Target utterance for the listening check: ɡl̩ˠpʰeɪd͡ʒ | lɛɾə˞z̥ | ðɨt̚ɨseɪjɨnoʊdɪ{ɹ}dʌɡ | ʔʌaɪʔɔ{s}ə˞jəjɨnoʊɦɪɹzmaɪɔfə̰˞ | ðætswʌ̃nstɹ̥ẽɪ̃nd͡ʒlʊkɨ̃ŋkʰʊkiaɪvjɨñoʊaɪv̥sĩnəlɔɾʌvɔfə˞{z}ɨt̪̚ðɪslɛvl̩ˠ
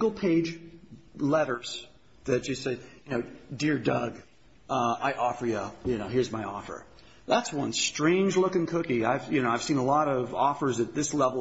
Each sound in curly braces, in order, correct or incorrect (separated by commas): correct, incorrect, correct